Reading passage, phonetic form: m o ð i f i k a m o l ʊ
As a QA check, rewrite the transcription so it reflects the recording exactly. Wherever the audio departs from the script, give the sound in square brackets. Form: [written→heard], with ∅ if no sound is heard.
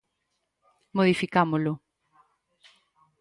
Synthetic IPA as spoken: m o ð i f i k a m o l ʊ